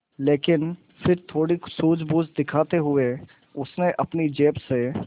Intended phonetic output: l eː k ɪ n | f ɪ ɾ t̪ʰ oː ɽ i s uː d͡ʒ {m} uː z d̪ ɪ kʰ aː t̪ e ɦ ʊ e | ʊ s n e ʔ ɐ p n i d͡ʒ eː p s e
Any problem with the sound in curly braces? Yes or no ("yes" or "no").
yes